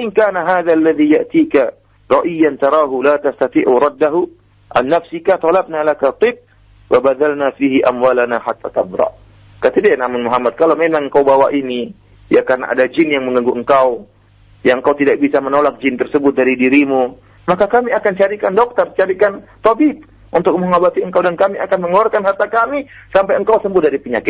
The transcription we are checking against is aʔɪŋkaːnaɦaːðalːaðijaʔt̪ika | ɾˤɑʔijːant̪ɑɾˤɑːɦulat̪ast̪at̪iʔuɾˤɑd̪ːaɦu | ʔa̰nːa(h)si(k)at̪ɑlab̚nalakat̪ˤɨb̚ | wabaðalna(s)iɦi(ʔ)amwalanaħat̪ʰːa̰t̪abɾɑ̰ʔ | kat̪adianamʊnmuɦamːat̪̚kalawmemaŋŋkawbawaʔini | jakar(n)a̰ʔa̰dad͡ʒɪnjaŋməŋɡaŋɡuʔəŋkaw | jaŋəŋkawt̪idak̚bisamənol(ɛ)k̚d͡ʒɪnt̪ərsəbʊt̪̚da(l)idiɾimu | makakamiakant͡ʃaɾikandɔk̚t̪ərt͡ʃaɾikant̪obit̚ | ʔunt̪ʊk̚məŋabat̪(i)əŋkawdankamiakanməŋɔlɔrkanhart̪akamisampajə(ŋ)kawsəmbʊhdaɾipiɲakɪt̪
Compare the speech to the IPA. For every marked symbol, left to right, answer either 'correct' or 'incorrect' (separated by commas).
incorrect, correct, incorrect, correct, correct, incorrect, incorrect, correct, correct